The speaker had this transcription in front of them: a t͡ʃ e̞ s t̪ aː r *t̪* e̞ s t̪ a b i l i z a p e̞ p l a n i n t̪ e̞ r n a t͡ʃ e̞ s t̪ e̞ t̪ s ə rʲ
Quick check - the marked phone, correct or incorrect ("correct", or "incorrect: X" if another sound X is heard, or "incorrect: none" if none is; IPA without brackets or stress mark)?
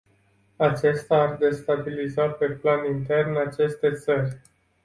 incorrect: d̪